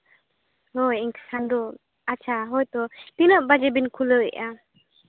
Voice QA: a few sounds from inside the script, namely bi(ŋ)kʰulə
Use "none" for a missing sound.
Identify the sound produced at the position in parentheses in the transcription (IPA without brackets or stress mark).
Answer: n